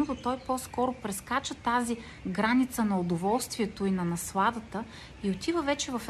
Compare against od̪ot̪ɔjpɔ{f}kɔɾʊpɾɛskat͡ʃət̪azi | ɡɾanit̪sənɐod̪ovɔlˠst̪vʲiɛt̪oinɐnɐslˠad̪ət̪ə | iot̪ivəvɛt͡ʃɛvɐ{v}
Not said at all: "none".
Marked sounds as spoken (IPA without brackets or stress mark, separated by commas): s, f